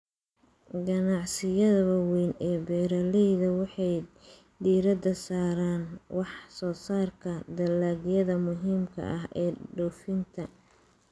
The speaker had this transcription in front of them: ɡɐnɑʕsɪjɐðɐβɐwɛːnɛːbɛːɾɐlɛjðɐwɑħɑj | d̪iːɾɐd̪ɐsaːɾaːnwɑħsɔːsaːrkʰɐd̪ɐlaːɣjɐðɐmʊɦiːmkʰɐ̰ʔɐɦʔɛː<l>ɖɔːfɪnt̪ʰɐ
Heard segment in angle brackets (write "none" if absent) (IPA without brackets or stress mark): none